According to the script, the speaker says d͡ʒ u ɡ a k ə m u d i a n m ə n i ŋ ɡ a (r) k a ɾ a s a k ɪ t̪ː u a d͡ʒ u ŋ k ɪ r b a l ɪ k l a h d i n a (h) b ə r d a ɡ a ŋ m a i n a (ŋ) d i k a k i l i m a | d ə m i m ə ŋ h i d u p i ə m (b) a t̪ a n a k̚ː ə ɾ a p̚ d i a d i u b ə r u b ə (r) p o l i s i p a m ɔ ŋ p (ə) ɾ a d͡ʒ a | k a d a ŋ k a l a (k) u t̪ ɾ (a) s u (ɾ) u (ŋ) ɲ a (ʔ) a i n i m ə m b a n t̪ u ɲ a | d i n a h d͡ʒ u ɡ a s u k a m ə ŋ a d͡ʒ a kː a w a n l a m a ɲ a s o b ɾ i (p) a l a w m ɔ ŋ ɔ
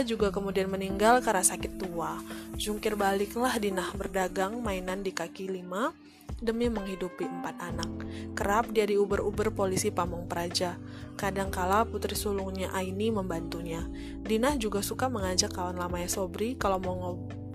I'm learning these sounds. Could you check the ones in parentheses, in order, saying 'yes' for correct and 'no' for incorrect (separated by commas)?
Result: no, yes, no, no, yes, yes, no, no, no, yes, yes, no